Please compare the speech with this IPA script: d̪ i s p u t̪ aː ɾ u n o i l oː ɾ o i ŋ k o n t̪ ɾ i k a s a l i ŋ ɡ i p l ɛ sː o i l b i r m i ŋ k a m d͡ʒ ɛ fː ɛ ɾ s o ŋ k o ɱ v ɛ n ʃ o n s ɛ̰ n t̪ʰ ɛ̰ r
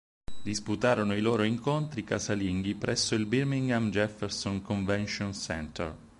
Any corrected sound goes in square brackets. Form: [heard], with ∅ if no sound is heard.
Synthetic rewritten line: d̪ i s p u t̪ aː ɾ [o] n o i l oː ɾ o i ŋ k o n t̪ ɾ i k a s a l i ŋ ɡ i p [ɾ] ɛ sː o i l b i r m i ŋ [ɡ] a m d͡ʒ ɛ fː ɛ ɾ s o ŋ k o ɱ v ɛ n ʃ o n s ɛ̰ n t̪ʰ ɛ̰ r